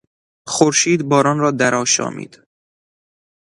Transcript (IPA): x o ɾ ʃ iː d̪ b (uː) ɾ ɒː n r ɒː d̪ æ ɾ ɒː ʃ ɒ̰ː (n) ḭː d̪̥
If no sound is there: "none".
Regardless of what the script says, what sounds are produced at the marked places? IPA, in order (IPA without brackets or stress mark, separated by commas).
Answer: ɒː, m